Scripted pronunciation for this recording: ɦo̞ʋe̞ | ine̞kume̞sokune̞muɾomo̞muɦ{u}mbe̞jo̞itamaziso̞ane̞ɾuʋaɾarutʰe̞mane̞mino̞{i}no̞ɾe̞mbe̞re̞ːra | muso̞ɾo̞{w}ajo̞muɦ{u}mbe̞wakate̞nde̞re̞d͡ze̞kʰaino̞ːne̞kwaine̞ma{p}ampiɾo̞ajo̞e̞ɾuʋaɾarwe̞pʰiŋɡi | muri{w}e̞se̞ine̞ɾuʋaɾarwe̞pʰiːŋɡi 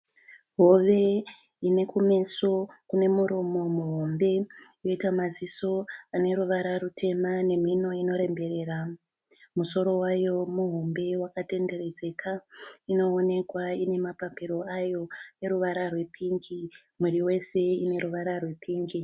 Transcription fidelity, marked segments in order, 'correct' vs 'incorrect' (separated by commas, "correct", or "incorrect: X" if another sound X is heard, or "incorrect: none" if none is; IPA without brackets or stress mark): incorrect: o, correct, correct, incorrect: o, correct, correct